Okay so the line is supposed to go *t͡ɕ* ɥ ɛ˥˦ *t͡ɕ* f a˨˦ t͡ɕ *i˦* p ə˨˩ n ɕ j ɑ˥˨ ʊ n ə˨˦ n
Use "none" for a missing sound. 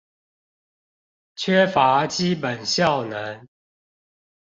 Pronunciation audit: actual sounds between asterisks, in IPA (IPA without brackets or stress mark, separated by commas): t͡ɕʰ, none, i˦